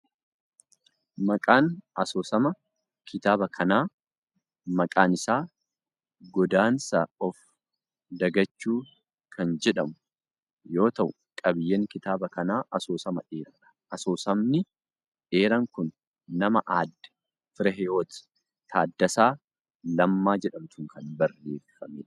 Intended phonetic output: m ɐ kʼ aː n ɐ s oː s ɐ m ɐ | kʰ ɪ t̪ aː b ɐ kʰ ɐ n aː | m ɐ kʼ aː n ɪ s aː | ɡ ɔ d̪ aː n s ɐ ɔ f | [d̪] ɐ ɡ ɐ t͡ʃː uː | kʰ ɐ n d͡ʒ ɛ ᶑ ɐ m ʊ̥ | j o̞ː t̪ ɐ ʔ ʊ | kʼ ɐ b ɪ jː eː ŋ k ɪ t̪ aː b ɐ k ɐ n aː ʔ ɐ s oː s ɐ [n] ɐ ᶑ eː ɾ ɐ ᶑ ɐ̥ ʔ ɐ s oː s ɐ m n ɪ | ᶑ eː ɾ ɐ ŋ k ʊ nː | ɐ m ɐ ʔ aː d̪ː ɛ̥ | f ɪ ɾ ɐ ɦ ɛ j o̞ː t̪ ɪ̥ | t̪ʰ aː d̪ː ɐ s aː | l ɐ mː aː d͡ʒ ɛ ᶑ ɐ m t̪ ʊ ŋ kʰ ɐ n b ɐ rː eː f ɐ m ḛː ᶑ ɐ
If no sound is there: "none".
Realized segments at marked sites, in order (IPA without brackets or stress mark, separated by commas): d̪, m